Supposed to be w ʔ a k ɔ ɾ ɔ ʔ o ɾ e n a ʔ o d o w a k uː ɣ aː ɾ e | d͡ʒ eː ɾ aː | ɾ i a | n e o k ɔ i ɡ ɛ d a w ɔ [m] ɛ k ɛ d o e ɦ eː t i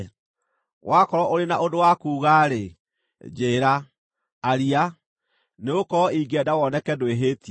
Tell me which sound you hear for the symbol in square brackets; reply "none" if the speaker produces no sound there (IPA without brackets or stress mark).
n